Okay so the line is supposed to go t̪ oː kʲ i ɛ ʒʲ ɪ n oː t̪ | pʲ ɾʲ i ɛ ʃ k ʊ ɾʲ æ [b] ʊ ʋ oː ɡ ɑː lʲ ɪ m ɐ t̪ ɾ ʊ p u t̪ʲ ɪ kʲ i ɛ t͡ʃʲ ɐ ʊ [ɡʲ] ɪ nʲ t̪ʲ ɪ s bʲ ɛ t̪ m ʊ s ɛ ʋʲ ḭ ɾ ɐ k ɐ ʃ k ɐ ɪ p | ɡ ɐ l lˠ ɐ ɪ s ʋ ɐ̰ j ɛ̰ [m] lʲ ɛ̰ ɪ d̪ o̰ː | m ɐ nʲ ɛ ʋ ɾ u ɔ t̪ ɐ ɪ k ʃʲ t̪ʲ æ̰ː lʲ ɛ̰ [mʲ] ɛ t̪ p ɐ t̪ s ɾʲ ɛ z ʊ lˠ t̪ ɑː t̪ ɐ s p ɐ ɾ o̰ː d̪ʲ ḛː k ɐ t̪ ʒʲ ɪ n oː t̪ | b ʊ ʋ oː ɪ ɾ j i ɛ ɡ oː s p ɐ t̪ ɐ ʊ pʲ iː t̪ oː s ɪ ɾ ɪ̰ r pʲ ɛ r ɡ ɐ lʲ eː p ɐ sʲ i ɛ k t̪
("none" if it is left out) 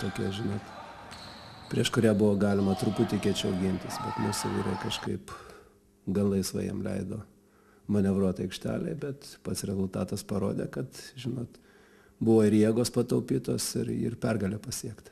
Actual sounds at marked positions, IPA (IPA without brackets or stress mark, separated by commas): b, ɡʲ, m, bʲ